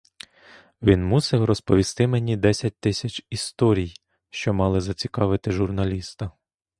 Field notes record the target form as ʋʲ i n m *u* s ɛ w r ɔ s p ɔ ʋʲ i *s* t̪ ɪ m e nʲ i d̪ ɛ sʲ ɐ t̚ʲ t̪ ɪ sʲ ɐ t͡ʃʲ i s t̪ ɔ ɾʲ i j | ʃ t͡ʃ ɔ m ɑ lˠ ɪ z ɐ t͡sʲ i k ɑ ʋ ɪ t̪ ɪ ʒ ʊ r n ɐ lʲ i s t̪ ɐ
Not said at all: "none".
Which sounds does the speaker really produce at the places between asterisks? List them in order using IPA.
u, s

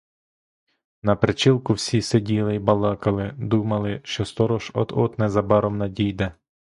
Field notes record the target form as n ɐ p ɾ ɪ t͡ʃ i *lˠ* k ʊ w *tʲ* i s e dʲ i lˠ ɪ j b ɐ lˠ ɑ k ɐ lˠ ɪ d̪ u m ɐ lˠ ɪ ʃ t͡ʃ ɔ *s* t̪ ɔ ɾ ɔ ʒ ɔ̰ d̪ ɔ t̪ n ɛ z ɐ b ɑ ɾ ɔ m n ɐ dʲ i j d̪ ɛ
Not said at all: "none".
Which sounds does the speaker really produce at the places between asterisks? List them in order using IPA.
lˠ, sʲ, s

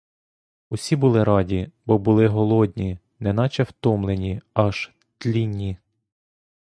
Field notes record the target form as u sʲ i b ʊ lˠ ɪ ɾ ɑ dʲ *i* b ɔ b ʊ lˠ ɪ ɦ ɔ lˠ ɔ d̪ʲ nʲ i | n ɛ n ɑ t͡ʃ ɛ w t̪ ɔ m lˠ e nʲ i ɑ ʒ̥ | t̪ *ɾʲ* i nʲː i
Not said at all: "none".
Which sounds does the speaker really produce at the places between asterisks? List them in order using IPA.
i, lʲ

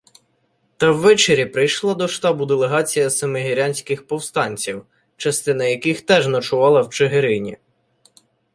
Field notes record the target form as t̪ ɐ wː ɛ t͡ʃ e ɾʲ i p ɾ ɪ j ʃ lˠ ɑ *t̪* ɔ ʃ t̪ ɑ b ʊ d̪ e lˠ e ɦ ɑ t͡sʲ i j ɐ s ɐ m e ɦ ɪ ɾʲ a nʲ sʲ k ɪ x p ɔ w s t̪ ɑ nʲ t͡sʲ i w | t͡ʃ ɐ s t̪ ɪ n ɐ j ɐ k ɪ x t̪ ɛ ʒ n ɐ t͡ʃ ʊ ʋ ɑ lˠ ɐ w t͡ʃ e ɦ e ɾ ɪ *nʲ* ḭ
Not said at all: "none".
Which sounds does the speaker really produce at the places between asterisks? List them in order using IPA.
d̪, nʲ

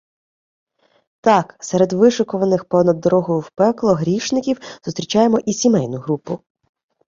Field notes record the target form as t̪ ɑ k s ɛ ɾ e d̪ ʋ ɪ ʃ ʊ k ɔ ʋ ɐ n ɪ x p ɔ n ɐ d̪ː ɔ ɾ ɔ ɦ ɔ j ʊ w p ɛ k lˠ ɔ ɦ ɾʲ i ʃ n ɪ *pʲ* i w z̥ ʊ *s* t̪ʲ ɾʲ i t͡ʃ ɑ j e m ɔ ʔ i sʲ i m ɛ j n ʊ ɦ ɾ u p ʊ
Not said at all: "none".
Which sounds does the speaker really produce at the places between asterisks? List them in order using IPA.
kʲ, s

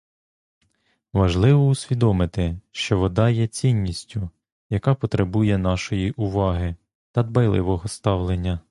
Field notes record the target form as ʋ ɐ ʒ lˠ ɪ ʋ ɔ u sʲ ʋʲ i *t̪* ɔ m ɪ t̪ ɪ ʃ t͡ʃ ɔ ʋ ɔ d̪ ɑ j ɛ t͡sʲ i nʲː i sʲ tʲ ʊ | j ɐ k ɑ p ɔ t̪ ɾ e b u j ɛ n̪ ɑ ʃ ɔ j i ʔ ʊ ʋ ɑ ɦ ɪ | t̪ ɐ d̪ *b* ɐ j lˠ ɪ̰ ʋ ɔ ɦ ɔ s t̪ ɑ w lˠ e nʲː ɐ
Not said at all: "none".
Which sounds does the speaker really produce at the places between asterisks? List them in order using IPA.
d̪, b

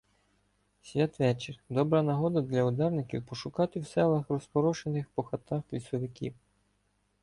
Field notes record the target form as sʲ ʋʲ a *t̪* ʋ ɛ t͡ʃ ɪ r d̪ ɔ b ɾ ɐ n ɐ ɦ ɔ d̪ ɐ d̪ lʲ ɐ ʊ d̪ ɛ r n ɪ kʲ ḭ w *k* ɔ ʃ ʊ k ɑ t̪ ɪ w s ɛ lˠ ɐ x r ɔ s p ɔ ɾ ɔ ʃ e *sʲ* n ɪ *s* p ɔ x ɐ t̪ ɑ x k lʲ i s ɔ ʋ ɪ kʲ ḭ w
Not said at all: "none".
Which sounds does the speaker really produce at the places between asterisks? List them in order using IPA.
t̪, p, none, x

